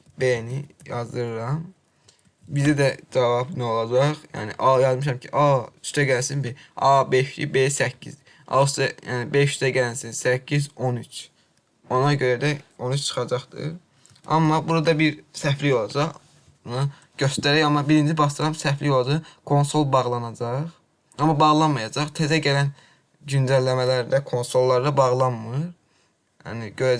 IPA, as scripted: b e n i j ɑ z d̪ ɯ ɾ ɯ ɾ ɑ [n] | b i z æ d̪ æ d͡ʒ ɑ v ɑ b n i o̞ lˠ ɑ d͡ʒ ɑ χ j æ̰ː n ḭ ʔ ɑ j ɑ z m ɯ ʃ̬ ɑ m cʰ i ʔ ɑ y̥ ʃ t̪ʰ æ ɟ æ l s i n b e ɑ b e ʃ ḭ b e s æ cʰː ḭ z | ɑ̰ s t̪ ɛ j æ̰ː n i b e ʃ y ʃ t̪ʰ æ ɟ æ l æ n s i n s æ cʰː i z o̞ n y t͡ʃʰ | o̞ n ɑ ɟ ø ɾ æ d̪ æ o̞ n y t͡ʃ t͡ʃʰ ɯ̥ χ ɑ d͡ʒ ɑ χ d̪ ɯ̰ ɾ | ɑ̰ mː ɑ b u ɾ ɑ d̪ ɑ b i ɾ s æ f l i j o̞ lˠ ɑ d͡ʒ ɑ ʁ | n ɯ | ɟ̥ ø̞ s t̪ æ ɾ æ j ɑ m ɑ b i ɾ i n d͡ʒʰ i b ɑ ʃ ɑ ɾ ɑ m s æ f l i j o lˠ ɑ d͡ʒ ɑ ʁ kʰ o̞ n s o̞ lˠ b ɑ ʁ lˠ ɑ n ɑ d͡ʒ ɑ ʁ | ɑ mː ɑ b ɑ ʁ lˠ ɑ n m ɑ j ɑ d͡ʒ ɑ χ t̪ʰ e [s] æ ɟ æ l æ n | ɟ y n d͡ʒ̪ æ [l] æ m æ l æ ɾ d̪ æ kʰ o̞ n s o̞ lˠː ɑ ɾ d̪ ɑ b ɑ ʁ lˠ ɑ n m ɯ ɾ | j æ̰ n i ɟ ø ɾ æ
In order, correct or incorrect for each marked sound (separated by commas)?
incorrect, incorrect, incorrect